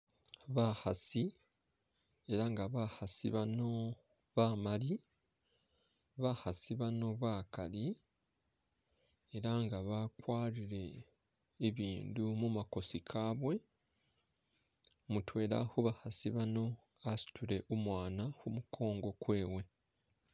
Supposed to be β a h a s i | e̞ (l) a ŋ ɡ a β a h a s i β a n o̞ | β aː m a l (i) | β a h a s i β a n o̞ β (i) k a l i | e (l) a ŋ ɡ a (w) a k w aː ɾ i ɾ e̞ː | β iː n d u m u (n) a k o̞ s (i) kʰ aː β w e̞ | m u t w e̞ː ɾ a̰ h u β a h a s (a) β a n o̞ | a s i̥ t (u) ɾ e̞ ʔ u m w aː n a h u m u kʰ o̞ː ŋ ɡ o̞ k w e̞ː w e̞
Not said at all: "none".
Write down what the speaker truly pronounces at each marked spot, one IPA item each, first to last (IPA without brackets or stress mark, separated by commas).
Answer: ɾ, i, a, ɾ, β, m, i, i, u